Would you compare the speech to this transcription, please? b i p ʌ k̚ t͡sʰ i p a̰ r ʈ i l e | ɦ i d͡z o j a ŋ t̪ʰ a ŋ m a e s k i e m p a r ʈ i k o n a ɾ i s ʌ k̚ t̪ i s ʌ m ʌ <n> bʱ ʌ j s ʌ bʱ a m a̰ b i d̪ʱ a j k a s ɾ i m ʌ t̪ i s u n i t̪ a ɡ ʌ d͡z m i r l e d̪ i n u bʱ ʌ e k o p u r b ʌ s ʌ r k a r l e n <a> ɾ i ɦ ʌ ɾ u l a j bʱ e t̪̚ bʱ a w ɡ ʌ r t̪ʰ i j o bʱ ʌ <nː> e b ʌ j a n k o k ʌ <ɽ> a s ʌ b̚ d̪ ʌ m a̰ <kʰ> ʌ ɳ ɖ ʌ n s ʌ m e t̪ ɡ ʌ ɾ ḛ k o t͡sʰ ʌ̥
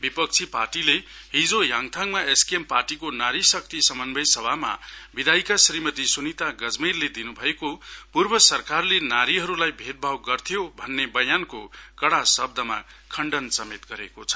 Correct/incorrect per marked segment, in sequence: correct, correct, correct, correct, correct

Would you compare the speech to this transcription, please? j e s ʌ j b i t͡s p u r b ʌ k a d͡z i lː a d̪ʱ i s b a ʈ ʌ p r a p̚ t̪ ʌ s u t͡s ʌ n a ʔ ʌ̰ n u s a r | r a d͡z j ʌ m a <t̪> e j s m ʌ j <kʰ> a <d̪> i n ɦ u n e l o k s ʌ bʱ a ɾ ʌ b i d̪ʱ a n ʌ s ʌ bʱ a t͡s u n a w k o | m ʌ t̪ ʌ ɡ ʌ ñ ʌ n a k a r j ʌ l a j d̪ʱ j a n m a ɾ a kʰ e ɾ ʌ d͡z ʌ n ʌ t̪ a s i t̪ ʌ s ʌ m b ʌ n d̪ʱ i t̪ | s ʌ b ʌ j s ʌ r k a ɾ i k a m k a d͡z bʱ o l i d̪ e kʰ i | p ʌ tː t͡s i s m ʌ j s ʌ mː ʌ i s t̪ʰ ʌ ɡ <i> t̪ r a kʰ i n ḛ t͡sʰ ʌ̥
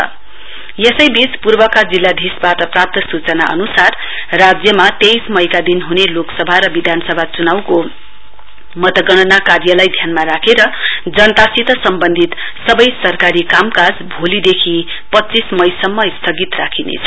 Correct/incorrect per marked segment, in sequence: correct, incorrect: k, correct, correct

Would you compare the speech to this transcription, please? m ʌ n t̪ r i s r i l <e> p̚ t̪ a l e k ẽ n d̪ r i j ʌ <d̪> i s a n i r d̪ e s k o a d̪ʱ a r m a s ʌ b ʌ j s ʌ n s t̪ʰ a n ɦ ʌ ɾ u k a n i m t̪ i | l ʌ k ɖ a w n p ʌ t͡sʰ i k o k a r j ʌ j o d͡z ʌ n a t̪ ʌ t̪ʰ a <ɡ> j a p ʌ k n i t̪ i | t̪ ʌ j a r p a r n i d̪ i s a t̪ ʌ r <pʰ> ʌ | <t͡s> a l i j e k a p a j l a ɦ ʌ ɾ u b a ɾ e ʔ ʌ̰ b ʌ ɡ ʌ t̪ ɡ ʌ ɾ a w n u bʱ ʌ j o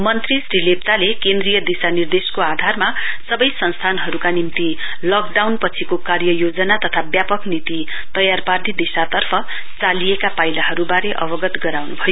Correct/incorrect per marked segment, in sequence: correct, correct, incorrect: b, correct, correct

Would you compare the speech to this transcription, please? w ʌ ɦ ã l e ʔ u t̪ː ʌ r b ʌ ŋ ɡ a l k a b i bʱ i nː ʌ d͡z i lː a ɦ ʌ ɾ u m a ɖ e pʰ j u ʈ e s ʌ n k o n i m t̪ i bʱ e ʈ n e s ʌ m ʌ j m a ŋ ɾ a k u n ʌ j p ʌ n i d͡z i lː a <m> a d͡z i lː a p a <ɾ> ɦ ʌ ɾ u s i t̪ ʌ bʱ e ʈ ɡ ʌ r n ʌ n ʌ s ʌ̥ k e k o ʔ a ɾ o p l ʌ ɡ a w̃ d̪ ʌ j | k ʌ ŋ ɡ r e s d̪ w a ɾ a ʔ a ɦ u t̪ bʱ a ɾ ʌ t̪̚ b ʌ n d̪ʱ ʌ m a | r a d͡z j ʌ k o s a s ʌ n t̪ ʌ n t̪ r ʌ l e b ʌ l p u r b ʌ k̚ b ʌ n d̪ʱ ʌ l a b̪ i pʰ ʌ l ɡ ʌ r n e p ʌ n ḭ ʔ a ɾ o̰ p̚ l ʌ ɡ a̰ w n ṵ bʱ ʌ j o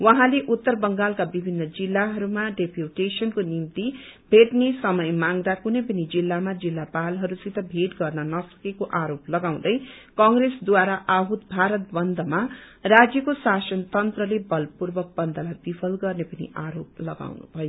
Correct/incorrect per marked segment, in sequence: correct, incorrect: l

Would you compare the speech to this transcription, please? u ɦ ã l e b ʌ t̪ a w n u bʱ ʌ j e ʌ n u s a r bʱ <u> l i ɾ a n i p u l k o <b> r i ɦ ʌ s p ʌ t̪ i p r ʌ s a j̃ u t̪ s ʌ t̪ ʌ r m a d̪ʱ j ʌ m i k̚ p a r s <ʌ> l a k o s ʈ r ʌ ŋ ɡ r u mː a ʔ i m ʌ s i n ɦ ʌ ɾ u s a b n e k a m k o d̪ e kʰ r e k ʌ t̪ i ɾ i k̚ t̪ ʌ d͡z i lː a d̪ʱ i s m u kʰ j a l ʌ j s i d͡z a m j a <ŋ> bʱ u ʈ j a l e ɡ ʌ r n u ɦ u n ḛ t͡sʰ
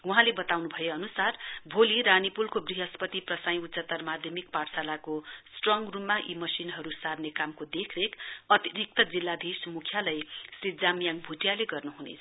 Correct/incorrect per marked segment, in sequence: incorrect: o, correct, incorrect: a, correct

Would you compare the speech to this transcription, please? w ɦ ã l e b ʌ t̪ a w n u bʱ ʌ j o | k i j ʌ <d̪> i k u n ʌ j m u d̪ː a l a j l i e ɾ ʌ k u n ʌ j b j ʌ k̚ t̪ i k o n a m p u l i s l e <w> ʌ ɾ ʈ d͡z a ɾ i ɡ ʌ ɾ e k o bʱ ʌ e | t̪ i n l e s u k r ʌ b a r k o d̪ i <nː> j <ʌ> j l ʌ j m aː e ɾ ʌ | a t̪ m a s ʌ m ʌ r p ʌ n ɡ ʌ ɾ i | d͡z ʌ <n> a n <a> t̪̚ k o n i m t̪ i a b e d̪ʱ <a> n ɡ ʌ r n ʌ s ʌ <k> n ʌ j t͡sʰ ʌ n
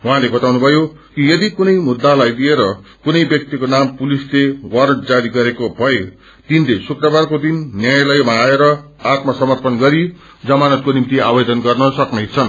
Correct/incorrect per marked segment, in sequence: correct, correct, correct, incorrect: a, incorrect: m, incorrect: ʌ, incorrect: ʌ, correct

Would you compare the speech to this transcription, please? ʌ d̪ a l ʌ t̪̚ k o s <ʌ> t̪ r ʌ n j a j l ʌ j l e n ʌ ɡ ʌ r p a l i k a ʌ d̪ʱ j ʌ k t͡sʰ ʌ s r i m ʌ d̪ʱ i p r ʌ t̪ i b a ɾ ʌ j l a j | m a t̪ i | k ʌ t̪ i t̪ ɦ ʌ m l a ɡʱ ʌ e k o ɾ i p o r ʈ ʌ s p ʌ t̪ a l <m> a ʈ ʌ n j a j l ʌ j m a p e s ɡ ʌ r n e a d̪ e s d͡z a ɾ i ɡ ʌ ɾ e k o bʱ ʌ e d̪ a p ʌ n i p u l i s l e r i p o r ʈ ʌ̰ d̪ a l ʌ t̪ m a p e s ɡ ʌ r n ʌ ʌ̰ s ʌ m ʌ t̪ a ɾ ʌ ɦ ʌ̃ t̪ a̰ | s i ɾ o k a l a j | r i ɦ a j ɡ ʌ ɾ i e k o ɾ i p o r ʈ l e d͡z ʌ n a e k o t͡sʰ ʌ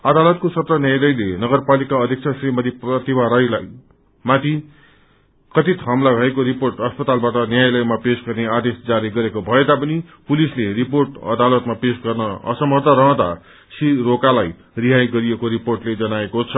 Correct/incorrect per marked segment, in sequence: correct, incorrect: b

